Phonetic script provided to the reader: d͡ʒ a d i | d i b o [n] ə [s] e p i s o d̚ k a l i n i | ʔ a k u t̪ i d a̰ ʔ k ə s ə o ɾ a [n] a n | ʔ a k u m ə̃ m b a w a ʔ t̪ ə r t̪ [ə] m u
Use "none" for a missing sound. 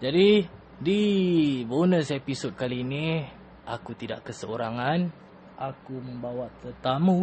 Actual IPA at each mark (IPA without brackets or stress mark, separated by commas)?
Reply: n, s, ŋ, a